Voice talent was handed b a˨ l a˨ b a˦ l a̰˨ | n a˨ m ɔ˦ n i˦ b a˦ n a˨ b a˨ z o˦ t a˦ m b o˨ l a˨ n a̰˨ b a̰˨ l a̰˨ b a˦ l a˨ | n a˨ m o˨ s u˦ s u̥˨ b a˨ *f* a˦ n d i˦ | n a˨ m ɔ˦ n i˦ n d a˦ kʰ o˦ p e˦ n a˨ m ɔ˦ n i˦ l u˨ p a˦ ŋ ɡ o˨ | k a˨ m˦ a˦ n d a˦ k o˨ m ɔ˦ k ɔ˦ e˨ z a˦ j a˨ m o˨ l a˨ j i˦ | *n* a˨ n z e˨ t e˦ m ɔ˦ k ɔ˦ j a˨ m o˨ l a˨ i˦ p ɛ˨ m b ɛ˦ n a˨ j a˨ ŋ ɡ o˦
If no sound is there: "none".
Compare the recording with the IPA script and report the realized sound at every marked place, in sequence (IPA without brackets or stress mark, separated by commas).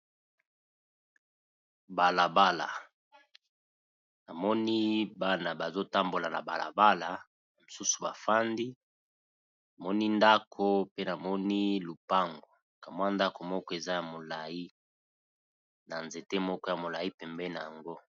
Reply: f, n